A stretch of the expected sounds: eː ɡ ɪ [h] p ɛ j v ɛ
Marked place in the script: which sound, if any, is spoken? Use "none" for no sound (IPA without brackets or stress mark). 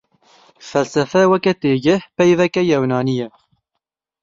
h